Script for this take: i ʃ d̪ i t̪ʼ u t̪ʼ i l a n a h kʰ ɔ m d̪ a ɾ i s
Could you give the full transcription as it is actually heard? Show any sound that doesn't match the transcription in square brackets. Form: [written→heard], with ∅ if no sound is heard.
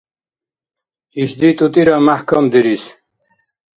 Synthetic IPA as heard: i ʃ d̪ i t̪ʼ u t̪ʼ i [l→ɾ] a [n→m] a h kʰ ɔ m d̪ [a→i] ɾ i s

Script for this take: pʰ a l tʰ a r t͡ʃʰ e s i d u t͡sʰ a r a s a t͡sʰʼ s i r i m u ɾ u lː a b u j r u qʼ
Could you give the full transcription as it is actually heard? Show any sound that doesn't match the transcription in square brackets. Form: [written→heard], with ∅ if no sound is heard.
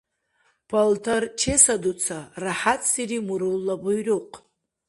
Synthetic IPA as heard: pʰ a l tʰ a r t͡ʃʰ e s [i→a] d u t͡sʰ a r a [s→ħ] a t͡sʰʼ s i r i m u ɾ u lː a b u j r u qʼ

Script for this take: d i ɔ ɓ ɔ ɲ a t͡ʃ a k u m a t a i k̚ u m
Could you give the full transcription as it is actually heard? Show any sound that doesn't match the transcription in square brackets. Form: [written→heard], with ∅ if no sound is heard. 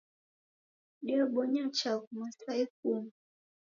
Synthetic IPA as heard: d i ɔ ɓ ɔ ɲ a t͡ʃ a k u m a [t→s] a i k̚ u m

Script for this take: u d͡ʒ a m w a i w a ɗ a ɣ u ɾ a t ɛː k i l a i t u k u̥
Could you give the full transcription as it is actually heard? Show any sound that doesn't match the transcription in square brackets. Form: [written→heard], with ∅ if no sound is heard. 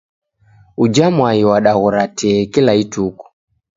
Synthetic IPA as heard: u d͡ʒ a m w a i w a ɗ a ɣ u ɾ a t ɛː k i l a i t u k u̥

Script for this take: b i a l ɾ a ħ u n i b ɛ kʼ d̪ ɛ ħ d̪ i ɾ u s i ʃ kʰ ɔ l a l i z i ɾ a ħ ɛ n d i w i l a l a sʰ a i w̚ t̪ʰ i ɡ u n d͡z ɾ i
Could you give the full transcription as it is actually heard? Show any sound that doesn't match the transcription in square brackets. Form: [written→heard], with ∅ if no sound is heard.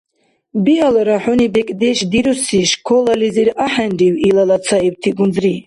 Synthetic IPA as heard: b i a l ɾ a ħ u n i b ɛ kʼ d̪ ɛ [ħ→ʃ] d̪ i ɾ u s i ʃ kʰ ɔ l a l i z i ɾ a ħ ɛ n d i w i l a l a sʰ a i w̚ t̪ʰ i ɡ u n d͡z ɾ i

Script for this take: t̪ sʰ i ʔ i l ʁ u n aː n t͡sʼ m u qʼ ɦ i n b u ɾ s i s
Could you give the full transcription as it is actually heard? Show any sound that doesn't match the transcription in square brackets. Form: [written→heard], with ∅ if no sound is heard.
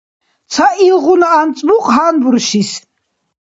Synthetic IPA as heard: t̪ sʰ [i→a] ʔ i l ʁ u n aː n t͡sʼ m u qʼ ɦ [i→a] n b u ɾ [s→ʃ] i s

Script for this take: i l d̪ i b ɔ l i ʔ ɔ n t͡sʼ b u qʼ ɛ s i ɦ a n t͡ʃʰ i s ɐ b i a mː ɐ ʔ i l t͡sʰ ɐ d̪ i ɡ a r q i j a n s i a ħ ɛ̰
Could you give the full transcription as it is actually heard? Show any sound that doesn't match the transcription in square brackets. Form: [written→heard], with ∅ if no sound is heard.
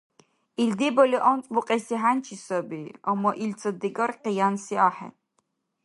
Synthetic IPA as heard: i l d̪ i b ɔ l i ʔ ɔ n t͡sʼ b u qʼ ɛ s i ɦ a n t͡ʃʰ i s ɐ b i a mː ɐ ʔ i l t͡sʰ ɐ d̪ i ɡ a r q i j a n s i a ħ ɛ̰

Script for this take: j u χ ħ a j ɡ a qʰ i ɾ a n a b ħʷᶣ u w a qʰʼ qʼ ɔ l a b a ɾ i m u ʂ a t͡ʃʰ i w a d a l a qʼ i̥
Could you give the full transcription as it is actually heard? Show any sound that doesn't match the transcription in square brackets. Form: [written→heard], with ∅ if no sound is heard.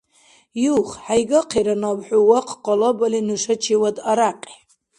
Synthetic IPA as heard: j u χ ħ a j ɡ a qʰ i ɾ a n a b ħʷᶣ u w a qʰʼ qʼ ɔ l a b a [ɾ→l] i [m→n] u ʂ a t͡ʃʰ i w a d a [l→ɾ] a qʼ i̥

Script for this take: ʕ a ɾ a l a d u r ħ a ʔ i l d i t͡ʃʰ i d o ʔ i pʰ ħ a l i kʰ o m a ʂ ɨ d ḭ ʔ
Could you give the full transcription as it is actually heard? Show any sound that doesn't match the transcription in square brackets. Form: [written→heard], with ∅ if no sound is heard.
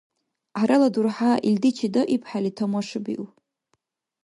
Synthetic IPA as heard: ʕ a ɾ a l a d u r ħ a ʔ i l d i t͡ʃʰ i d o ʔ i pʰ ħ a l i [kʰ→tʰ] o m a ʂ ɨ [d→b] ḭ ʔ

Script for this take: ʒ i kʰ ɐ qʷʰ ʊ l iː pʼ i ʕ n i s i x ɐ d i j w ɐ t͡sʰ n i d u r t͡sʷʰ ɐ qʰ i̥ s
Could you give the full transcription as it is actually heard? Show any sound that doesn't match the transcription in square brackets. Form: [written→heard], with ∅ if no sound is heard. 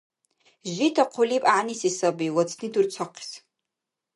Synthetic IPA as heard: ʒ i [kʰ→tʰ] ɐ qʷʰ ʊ l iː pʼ [i→a] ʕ n i s i [x→s] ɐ [d→b] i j w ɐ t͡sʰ n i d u r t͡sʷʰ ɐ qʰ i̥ s

